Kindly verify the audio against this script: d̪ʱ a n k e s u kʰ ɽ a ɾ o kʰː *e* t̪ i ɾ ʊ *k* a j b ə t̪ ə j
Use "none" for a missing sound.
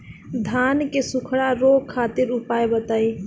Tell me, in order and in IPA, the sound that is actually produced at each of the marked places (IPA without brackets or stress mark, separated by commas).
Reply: a, p